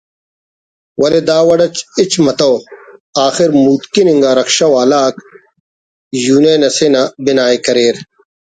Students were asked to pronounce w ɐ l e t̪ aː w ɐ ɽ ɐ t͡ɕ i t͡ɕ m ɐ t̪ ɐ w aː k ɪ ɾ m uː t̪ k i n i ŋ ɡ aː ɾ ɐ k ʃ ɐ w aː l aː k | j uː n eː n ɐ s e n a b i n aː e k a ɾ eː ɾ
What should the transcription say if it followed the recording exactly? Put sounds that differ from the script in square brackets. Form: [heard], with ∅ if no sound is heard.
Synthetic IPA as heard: w ɐ l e [d̪] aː w ɐ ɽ ɐ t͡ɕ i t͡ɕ m ɐ t̪ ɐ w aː [x] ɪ ɾ m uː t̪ k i n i ŋ ɡ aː ɾ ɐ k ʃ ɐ w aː l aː k | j uː n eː n ɐ s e n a b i n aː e k [ɐ] ɾ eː ɾ